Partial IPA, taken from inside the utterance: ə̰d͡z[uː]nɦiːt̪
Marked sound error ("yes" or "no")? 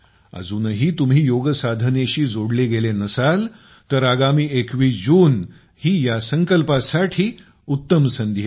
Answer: no